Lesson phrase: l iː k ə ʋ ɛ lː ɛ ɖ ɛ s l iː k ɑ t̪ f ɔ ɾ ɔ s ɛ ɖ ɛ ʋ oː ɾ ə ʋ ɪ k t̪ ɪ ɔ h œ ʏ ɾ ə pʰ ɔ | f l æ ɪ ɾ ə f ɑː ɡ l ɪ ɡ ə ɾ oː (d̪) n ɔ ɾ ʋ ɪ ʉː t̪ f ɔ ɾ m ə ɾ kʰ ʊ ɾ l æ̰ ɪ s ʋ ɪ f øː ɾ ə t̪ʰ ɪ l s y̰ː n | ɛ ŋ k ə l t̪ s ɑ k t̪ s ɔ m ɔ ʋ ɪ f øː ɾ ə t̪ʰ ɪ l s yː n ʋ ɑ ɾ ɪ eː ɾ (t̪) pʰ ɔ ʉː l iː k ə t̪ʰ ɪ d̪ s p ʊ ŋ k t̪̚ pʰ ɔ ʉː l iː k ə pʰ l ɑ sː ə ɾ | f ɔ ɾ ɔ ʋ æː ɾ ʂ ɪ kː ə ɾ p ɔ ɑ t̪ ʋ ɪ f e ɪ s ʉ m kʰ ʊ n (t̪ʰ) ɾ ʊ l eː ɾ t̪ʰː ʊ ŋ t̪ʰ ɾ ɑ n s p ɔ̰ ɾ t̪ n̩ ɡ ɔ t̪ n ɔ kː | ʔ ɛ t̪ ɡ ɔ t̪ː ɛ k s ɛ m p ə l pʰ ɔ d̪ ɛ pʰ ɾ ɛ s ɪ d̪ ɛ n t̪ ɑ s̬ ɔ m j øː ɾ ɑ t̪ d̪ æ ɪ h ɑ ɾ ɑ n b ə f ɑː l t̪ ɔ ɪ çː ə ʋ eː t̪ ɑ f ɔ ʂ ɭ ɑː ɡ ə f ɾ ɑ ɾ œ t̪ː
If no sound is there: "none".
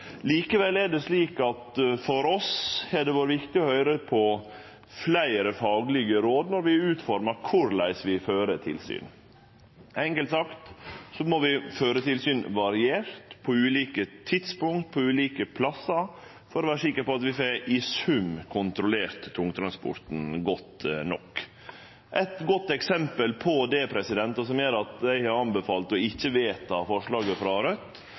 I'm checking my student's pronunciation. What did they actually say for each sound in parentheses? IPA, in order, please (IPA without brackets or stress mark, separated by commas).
d̪, t̪, t̪